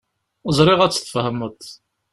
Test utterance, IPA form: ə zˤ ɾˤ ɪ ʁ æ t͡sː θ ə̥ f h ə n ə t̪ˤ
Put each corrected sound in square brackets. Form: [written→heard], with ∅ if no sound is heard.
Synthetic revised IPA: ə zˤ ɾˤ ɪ ʁ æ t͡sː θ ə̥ f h ə [n→m] ə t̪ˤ

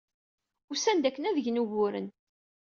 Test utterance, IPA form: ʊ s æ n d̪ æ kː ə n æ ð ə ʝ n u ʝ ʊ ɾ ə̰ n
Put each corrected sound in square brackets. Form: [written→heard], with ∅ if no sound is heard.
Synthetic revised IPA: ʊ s æ n d̪ æ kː ə n æ ð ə ʝ n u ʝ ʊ ɾ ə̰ n

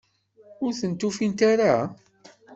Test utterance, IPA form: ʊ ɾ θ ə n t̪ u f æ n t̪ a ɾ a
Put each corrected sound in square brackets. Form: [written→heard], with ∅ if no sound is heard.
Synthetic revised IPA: ʊ ɾ θ ə n t̪ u f [æ→i] n t̪ a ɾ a

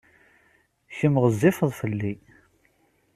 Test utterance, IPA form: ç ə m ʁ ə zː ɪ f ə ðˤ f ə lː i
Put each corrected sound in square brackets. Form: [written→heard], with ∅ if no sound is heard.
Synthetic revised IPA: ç ə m ʁ ə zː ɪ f ə ðˤ f ə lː i

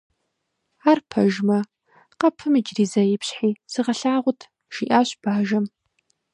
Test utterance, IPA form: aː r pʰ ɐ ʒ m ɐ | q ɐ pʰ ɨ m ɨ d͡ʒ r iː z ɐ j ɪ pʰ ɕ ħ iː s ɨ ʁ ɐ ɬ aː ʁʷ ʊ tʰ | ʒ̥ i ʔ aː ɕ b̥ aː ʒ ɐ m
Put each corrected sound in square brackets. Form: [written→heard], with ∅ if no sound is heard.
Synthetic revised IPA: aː r pʰ ɐ ʒ m ɐ | q ɐ pʰ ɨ m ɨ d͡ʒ r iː z ɐ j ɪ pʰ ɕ ħ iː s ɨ ʁ ɐ ɬ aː ʁʷ ʊ tʰ | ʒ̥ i ʔ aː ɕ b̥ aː ʒ ɐ m

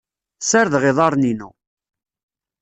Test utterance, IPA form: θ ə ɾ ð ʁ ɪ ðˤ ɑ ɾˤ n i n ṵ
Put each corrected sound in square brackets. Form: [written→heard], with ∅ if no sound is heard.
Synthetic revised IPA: [θ→s] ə ɾ ð ʁ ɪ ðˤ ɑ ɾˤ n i n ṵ

